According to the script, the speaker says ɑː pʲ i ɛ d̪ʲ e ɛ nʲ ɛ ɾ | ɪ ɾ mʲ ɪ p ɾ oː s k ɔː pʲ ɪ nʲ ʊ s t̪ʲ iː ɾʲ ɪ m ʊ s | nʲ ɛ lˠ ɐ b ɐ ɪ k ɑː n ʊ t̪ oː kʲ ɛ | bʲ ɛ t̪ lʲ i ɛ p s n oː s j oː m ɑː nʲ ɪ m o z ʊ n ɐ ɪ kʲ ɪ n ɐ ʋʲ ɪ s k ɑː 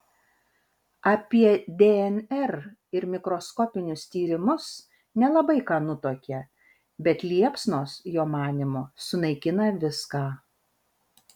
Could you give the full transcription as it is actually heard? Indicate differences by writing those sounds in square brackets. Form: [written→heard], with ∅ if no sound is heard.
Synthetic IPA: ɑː pʲ i ɛ d̪ʲ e ɛ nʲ ɛ ɾ | ɪ ɾ mʲ ɪ [p→k] ɾ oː s k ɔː pʲ ɪ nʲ ʊ s t̪ʲ iː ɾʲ ɪ m ʊ s | nʲ ɛ lˠ ɐ b ɐ ɪ k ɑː n ʊ t̪ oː kʲ ɛ | bʲ ɛ t̪ lʲ i ɛ p s n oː s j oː m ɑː nʲ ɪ m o [z→s] ʊ n ɐ ɪ kʲ ɪ n ɐ ʋʲ ɪ s k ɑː